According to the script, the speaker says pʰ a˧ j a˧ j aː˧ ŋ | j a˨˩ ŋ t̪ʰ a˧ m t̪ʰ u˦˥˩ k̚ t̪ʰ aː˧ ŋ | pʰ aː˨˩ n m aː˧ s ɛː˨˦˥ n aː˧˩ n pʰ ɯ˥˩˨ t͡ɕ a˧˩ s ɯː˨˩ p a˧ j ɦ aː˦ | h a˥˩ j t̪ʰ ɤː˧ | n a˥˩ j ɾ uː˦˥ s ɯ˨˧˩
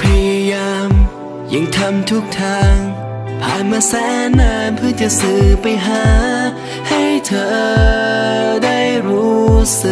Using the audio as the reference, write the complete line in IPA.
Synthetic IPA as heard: pʰ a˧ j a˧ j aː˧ m | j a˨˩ ŋ t̪ʰ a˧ m t̪ʰ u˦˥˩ k̚ t̪ʰ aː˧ ŋ | pʰ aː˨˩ n m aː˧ s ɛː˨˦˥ n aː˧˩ n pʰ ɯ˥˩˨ t͡ɕ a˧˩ s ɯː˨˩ p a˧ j ɦ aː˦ | h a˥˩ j t̪ʰ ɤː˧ | d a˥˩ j ɾ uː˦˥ s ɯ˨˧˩